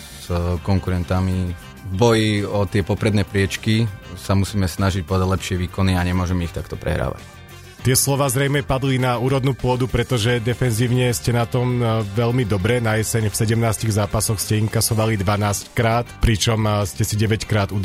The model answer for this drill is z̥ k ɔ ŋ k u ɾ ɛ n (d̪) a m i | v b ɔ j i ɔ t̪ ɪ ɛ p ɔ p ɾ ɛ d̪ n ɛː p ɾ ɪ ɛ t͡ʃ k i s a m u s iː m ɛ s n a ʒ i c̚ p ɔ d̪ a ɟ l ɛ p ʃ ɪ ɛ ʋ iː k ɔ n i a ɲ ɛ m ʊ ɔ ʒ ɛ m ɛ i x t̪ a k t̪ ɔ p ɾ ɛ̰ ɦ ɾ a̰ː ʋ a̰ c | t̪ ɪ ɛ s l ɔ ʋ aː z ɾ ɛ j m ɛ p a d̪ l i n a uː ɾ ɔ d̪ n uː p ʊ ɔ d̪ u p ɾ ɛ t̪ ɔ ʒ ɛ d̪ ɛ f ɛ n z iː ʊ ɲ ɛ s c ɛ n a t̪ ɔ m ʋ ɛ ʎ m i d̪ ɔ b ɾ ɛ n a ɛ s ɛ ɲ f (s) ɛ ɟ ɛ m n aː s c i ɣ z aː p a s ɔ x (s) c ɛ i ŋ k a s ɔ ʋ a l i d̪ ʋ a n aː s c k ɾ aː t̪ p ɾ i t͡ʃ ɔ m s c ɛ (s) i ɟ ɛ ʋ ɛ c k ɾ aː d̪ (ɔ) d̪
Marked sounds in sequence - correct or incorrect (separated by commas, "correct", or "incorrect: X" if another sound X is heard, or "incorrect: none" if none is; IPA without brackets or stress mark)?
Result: incorrect: t̪, correct, correct, correct, incorrect: u